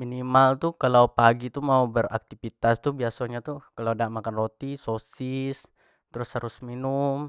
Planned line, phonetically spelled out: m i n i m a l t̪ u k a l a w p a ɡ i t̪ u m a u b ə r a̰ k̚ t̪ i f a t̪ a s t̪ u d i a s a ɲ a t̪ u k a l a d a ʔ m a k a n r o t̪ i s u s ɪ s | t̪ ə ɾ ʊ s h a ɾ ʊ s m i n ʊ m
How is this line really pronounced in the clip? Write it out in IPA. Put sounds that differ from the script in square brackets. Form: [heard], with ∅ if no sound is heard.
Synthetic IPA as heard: m i n i m a l t̪ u k a l a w p a ɡ i t̪ u m a u b ə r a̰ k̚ t̪ i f [i] t̪ a s t̪ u [b] i a s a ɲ a t̪ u k a l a d a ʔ m a k a n r o t̪ i s [o] s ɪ s | t̪ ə ɾ ʊ s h a ɾ ʊ s m i n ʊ m